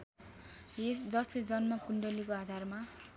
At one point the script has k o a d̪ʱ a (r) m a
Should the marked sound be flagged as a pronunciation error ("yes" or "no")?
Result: no